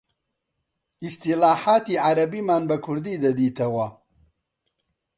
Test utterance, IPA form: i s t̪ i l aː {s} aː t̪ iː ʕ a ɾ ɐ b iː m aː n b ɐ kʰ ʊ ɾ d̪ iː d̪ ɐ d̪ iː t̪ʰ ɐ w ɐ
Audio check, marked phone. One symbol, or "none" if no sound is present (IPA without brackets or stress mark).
ħ